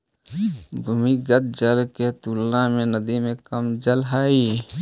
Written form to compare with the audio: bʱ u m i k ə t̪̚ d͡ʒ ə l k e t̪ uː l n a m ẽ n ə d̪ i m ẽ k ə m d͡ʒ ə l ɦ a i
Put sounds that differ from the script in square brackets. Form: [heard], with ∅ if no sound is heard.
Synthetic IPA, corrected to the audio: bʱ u m i [ɡ] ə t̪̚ d͡ʒ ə l k e t̪ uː l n a m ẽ n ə d̪ i m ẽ k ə m d͡ʒ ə l ɦ a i